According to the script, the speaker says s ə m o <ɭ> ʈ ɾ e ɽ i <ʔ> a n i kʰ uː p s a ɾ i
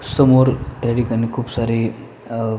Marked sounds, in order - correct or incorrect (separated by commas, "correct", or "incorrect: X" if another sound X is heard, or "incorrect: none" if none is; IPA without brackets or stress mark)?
incorrect: ɾ, incorrect: k